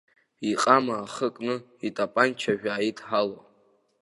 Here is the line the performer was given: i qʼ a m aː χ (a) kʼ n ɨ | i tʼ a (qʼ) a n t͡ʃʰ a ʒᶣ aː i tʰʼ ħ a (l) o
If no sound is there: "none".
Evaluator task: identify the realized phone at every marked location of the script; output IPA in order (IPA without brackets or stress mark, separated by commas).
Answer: ə, pʼ, l